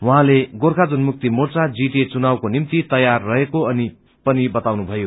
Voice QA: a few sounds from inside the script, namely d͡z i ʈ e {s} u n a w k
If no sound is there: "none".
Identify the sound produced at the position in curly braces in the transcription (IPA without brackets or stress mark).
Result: t͡s